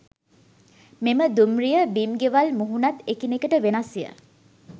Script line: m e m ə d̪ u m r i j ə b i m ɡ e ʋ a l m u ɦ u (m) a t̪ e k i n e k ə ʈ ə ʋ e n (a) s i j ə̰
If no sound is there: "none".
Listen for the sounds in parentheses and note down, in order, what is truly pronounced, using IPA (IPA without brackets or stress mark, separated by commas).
n, a